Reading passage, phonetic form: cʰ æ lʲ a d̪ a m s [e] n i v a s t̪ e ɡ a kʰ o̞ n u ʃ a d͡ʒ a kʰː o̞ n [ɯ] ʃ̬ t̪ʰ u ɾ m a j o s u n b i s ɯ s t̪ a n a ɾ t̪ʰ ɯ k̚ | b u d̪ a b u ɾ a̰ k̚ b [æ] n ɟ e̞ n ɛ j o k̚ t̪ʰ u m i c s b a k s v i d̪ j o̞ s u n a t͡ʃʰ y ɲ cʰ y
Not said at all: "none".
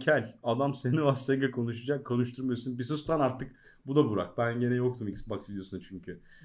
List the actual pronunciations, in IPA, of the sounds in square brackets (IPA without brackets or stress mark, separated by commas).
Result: e, u, æ